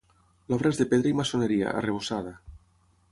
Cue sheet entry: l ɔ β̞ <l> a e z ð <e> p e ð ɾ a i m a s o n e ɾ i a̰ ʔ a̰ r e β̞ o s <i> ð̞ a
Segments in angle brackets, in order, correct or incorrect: incorrect, correct, incorrect

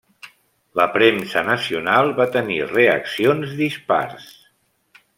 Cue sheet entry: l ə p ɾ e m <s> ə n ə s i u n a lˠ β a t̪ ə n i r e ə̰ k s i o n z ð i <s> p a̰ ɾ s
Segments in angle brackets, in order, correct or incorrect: correct, correct

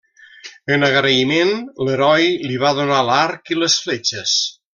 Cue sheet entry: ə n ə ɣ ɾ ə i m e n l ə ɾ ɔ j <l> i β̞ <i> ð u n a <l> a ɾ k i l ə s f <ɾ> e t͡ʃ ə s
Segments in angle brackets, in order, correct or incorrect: correct, incorrect, correct, incorrect

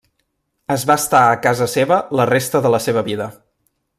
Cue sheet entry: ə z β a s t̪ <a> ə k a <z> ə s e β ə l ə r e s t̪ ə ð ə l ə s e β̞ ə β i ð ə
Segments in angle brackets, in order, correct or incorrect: correct, correct

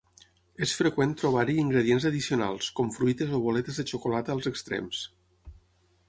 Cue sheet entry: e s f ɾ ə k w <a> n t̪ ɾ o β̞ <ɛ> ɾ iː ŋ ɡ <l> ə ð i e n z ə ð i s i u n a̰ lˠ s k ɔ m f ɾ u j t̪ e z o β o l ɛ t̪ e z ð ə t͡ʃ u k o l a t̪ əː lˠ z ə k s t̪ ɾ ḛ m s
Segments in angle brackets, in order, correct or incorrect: incorrect, incorrect, incorrect

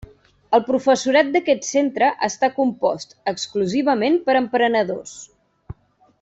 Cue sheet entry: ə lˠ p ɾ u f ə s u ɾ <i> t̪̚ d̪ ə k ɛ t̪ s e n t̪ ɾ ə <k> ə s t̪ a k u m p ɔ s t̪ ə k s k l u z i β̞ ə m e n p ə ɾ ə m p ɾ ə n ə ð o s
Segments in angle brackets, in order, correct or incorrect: incorrect, incorrect

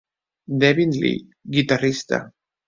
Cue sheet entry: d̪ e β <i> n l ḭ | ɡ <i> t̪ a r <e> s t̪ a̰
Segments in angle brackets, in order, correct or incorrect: correct, correct, incorrect

